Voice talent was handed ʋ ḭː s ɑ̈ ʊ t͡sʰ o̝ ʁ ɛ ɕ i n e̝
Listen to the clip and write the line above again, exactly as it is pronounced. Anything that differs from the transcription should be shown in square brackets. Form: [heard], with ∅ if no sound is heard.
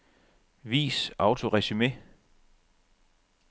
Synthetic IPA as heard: ʋ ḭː s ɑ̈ ʊ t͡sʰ o̝ ʁ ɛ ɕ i [m] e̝

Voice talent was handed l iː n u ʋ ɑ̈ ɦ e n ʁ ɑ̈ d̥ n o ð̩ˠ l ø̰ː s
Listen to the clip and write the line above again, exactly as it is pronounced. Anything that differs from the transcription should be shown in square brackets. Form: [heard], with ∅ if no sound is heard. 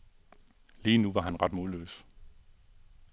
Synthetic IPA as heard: l iː n u ʋ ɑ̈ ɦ [æ] n ʁ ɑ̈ d̥ [m] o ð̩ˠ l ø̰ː s

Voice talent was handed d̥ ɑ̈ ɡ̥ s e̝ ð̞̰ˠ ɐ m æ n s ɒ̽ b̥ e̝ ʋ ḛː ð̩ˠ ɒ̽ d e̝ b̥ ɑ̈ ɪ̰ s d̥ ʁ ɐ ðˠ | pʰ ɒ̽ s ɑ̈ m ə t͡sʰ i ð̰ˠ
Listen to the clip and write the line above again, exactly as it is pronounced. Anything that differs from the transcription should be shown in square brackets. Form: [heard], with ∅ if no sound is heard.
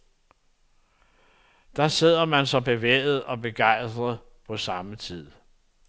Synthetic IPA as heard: d̥ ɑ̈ [∅] s e̝ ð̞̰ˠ ɐ m æ n s ɒ̽ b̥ e̝ ʋ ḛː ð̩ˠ ɒ̽ [b] e̝ [ɡ̥] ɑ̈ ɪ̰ s d̥ ʁ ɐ ðˠ | pʰ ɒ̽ s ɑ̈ m ə t͡sʰ i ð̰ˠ

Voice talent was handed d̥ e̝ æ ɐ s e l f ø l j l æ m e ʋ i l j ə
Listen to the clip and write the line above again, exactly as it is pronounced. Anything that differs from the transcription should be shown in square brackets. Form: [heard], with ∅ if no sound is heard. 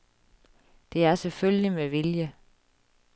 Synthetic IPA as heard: d̥ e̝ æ ɐ s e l f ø l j l [i] m e ʋ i l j ə

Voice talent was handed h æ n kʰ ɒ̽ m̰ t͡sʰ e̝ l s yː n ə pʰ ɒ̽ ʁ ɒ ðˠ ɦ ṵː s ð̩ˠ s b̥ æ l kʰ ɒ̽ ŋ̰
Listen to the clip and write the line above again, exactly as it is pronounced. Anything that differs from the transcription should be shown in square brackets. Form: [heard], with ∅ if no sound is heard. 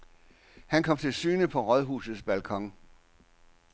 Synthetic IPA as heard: h æ n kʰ ɒ̽ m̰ t͡sʰ e̝ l s yː n ə pʰ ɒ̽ ʁ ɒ ðˠ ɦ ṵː s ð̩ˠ s b̥ æ l kʰ ɒ̽ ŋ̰

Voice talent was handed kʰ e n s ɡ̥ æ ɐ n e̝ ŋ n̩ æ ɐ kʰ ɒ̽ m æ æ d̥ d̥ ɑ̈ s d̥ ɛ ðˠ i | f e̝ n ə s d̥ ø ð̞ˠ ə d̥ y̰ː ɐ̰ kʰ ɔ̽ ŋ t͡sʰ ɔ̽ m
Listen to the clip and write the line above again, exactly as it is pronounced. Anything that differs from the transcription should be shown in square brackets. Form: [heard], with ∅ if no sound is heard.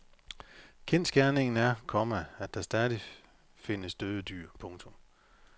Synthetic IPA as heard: kʰ e n s ɡ̥ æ ɐ n e̝ ŋ n̩ æ ɐ kʰ ɒ̽ m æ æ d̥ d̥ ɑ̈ s d̥ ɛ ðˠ i | f e̝ n ə s d̥ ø ð̞ˠ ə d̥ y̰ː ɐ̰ [pʰ] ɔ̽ ŋ t͡sʰ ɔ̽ m

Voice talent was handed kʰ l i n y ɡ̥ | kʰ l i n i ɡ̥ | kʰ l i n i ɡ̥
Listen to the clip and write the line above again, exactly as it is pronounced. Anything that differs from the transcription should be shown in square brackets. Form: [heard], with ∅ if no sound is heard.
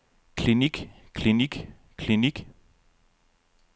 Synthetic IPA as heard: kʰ l i n [i] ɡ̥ | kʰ l i n i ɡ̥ | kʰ l i n i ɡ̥

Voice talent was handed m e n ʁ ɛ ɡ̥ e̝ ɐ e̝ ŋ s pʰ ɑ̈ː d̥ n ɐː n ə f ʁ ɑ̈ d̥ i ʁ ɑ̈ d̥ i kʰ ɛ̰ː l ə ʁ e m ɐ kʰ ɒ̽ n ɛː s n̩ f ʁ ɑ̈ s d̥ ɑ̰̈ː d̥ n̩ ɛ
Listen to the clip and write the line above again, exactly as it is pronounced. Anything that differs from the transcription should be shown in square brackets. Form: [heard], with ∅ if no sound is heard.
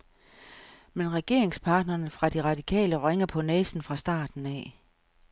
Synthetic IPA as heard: m e n ʁ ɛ ɡ̥ e̝ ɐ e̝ ŋ s pʰ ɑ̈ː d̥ n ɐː n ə f ʁ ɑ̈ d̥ i ʁ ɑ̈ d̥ i kʰ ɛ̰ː l ə ʁ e [ŋ] ɐ [pʰ] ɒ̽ n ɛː s n̩ f ʁ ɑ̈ s d̥ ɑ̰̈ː d̥ n̩ ɛ

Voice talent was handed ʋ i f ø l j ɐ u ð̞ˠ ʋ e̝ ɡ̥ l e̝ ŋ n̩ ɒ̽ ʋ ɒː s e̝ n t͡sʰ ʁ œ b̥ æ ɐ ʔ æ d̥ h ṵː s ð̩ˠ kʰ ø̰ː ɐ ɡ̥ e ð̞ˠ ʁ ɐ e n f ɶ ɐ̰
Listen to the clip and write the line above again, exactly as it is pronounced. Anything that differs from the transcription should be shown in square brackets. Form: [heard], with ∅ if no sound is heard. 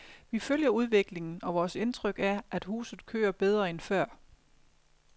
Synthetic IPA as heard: ʋ i f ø l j ɐ u ð̞ˠ ʋ e̝ ɡ̥ l e̝ ŋ n̩ ɒ̽ ʋ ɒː s e̝ n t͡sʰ ʁ œ [ɡ̥] æ ɐ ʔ æ d̥ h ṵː s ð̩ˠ kʰ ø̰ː ɐ [b̥] e ð̞ˠ ʁ ɐ e n f ɶ ɐ̰

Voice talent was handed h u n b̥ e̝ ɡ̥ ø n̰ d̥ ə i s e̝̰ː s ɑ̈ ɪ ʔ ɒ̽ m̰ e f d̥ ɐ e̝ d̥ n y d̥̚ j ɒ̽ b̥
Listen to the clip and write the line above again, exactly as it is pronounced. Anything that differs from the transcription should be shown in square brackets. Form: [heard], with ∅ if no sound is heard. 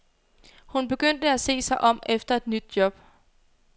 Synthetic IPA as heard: h u n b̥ e̝ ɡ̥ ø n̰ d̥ ə [æ] s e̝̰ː s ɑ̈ ɪ ʔ ɒ̽ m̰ e f d̥ ɐ e̝ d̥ n y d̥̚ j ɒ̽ b̥

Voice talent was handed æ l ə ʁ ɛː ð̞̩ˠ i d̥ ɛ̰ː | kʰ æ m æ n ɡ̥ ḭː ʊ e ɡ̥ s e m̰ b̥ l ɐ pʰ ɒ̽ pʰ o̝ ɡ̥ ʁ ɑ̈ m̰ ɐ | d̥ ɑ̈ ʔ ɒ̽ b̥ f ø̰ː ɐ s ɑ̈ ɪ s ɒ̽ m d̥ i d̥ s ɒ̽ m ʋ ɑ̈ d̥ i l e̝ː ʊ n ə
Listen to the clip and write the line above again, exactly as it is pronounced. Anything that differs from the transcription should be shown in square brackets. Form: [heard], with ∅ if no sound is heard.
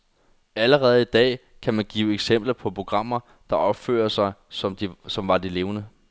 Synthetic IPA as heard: æ l ə ʁ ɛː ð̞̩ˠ i d̥ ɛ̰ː | kʰ æ m æ n ɡ̥ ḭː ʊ e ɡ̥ s e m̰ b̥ l ɐ pʰ ɒ̽ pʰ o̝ ɡ̥ ʁ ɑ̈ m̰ ɐ | d̥ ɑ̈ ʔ ɒ̽ b̥ f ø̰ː ɐ s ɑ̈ ɪ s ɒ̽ m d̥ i [∅] s ɒ̽ m ʋ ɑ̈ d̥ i l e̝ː ʊ n ə

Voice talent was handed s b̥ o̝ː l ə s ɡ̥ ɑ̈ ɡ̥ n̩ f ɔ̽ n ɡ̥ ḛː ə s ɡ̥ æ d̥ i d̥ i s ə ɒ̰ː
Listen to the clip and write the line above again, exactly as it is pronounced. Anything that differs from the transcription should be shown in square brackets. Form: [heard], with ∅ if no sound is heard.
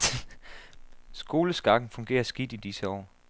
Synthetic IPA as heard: s [ɡ̥] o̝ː l ə s ɡ̥ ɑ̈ ɡ̥ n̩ f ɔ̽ [ŋ] ɡ̥ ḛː [ɐ] s ɡ̥ [i] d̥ i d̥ i s ə ɒ̰ː

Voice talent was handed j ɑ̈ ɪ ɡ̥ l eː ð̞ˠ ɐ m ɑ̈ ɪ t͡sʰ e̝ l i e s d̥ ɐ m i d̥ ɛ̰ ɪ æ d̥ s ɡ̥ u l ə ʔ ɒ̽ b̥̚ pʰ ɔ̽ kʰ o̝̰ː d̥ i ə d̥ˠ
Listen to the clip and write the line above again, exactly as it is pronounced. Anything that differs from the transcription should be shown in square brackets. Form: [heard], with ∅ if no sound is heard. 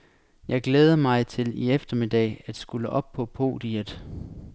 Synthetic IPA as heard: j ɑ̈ ɪ ɡ̥ l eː ð̞ˠ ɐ m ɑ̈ ɪ t͡sʰ e̝ l i e [f] d̥ ɐ m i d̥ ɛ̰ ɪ æ d̥ s ɡ̥ u l ə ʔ ɒ̽ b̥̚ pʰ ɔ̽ [pʰ] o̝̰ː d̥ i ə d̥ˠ

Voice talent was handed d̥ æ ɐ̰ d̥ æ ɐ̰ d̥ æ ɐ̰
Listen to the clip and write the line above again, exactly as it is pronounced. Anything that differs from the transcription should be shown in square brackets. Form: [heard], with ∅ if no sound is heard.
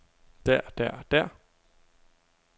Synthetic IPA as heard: d̥ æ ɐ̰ d̥ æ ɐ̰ d̥ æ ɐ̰

